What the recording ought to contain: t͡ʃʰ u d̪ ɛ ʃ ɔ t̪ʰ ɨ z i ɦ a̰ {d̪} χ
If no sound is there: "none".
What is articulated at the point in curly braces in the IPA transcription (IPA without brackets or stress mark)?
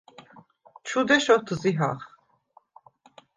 none